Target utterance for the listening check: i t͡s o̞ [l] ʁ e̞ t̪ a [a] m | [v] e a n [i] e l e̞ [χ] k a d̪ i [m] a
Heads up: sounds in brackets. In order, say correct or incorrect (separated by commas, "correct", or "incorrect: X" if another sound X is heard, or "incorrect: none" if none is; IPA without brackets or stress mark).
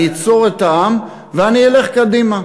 incorrect: none, correct, correct, correct, correct, correct